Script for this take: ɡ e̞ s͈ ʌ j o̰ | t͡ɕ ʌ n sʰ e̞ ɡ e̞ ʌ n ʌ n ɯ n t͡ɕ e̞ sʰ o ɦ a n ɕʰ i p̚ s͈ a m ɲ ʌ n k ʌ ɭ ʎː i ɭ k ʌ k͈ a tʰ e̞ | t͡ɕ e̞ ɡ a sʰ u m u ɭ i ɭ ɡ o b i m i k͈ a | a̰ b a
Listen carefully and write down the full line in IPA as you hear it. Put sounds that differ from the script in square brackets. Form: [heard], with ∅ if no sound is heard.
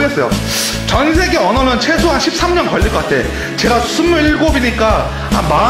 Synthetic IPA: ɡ e̞ s͈ ʌ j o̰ | t͡ɕ ʌ n sʰ e̞ ɡ e̞ ʌ n ʌ n ɯ n [t͡ɕʰ] e̞ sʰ o ɦ a n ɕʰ i p̚ s͈ a m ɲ ʌ n k ʌ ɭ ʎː i ɭ k ʌ k͈ a tʰ e̞ | t͡ɕ e̞ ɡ a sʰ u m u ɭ i ɭ ɡ o b i [ɲ] i k͈ a | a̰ [m] a